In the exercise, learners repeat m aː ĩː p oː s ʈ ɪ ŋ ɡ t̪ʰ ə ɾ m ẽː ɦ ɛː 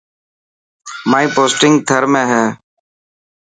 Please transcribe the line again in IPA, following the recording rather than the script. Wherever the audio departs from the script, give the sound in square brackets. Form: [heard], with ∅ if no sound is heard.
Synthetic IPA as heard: m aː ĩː p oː s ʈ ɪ ŋ ɡ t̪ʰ ə ɾ m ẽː ɦ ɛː

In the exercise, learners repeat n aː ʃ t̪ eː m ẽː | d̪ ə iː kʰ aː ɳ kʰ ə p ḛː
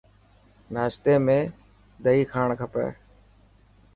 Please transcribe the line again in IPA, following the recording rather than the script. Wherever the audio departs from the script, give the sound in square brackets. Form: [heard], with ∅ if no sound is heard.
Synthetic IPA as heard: n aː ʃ t̪ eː m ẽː | d̪ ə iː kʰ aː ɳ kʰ ə p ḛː

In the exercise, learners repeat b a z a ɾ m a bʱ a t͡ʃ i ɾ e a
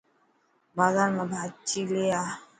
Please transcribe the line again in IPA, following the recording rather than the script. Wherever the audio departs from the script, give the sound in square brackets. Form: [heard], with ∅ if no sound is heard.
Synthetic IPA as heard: b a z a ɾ m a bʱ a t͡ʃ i [l] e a

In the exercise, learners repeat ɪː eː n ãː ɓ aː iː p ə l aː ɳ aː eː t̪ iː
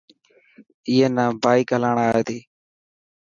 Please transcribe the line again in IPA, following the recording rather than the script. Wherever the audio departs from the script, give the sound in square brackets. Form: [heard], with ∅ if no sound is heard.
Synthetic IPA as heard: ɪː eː n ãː [b] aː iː [k] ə l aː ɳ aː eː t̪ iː

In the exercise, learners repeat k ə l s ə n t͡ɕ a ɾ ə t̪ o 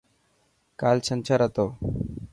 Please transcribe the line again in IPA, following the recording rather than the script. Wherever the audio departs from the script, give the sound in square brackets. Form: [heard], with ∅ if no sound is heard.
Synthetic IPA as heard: k [a] l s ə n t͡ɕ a ɾ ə t̪ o

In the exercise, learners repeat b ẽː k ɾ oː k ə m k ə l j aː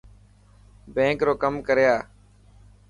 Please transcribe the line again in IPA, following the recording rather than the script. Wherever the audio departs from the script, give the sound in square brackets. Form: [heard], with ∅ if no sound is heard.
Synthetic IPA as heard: b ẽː k ɾ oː k ə m k ə [ɾ] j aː

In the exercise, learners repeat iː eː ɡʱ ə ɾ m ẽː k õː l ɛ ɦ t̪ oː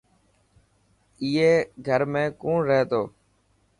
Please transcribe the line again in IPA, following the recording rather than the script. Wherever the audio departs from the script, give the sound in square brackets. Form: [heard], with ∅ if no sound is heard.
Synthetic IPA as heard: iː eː ɡʱ ə ɾ m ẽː k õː [ɾ] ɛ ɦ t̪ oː

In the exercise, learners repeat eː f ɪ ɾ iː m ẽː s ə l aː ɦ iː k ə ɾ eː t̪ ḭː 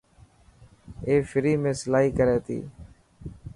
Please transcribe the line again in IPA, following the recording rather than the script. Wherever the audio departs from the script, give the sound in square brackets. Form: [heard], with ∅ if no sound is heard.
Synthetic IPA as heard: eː f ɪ ɾ iː m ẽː s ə l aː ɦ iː k ə ɾ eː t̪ ḭː

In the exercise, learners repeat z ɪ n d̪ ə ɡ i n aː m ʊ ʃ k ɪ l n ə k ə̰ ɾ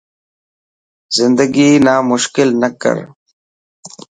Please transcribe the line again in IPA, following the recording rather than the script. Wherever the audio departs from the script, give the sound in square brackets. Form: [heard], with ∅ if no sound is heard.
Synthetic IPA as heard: z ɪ n d̪ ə ɡ i n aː m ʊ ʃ k ɪ l n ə k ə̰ ɾ

